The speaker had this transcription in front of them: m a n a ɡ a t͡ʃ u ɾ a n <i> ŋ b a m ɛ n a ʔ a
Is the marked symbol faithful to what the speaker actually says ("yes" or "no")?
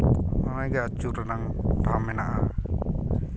no